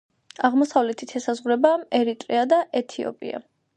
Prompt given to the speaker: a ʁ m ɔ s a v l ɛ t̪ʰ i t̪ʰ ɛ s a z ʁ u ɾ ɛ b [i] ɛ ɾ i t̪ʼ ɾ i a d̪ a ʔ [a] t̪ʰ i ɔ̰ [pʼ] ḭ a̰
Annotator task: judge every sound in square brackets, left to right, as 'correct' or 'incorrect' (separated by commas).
incorrect, incorrect, correct